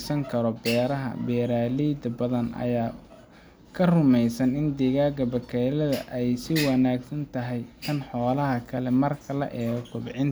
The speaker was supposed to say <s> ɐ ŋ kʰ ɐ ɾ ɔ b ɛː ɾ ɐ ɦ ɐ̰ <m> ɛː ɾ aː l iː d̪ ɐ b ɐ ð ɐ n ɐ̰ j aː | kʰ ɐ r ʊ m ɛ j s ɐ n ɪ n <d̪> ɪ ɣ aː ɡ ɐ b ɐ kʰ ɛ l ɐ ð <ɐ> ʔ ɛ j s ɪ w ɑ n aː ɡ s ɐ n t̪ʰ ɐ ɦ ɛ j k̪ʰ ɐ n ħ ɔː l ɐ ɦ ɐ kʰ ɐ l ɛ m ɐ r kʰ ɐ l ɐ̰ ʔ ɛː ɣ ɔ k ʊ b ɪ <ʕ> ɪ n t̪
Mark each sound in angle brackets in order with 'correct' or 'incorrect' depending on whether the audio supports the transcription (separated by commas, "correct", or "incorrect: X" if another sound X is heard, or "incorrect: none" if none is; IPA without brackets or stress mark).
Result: correct, incorrect: b, correct, correct, correct